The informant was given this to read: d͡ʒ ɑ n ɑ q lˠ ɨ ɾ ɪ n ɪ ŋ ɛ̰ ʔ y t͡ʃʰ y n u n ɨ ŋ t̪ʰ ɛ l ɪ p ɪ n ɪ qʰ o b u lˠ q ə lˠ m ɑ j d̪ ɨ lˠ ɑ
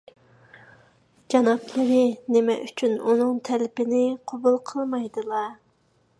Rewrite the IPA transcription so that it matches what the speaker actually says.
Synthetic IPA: d͡ʒ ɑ n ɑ p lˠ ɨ ɾ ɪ n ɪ m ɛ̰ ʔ y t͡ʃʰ y n u n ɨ ŋ t̪ʰ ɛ l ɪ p ɪ n ɪ qʰ o b u lˠ qʰ ə lˠ m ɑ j d̪ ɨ lˠ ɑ